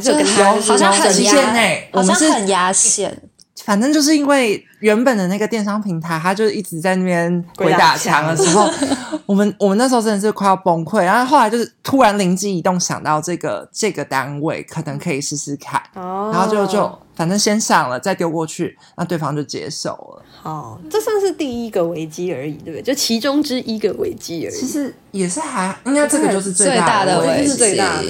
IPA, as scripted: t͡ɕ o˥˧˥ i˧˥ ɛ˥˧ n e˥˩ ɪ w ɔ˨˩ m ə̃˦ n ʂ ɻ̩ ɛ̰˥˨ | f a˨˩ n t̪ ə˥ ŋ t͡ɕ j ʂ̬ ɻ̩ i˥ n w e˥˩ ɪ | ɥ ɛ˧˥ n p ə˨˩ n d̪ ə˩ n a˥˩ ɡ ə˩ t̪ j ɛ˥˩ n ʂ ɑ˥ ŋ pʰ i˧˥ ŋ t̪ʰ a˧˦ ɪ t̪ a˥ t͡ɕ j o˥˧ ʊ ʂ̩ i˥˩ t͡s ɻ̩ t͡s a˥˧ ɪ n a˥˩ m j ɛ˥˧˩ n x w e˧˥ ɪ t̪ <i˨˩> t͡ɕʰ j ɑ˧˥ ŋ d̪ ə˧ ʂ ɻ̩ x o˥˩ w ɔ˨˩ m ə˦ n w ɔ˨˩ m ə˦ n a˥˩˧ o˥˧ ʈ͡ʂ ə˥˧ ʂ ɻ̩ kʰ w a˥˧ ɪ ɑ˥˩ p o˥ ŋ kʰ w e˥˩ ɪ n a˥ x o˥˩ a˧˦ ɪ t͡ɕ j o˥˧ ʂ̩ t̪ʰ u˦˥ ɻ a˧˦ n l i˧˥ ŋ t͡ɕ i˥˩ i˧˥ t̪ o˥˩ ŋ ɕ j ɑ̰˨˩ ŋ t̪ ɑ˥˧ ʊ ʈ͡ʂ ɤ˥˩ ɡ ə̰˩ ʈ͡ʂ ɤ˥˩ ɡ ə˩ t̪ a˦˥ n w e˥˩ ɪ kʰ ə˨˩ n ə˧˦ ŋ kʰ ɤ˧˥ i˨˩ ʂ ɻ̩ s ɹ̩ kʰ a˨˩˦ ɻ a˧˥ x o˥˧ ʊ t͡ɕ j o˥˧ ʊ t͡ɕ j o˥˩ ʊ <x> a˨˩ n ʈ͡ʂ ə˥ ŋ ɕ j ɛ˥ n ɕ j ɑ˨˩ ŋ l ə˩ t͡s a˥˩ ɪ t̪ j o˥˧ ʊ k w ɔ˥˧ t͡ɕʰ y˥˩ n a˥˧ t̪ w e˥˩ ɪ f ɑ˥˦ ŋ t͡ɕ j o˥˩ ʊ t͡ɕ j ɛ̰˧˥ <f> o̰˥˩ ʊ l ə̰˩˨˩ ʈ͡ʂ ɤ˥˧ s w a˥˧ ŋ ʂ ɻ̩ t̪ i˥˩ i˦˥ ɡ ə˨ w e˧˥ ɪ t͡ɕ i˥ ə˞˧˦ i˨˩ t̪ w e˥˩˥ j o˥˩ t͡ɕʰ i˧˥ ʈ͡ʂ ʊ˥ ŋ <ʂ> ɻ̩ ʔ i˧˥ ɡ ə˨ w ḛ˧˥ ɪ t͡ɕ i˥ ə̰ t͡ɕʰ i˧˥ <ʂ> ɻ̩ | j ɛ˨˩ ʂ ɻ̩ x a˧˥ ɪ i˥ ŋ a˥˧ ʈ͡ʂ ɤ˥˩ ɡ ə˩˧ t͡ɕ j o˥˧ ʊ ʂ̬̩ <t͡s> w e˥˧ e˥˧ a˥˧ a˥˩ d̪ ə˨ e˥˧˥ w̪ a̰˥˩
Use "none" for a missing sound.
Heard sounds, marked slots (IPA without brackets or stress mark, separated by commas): a˨˩, f, ʂ, ʈ͡ʂ, ʂ, t͡s